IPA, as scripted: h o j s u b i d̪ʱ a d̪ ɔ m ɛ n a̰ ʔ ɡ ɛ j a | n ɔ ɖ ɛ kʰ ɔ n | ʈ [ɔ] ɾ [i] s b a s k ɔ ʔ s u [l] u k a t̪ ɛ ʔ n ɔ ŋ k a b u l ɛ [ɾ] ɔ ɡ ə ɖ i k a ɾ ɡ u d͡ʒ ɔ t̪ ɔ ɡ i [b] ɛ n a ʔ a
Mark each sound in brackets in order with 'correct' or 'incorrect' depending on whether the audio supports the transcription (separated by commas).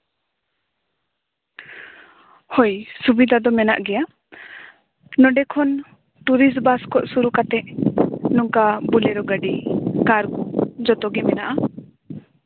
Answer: incorrect, correct, incorrect, correct, incorrect